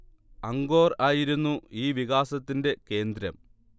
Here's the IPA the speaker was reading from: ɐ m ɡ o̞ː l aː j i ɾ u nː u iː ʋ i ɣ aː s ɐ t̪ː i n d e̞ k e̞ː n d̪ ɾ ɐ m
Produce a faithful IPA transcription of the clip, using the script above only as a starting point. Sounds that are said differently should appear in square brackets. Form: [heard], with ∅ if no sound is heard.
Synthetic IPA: ɐ [ŋ] ɡ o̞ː [r] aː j i ɾ u nː u iː ʋ i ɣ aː s ɐ t̪ː i n d e̞ k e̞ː n d̪ ɾ ɐ m